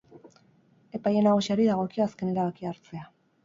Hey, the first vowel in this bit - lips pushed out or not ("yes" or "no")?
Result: no